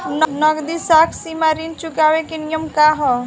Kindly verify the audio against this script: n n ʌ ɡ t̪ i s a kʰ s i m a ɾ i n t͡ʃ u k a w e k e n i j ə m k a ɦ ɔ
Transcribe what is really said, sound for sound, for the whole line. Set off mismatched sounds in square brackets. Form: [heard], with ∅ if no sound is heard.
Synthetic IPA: n n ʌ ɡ [d̪] i s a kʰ s i m a ɾ i n t͡ʃ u k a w e k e n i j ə m k a ɦ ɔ